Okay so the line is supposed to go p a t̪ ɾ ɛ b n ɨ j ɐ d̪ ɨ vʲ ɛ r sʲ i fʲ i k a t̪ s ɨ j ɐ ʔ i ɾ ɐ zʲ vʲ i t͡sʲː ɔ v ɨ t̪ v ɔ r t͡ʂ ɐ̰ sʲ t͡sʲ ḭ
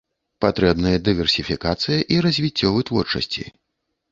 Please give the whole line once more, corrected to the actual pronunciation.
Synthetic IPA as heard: p a t̪ ɾ ɛ b n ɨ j ɐ d̪ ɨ vʲ ɛ r sʲ i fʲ i k a t̪ s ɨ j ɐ ʔ i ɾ ɐ zʲ vʲ i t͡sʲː ɔ v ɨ t̪ v ɔ r t͡ʂ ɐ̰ sʲ t͡sʲ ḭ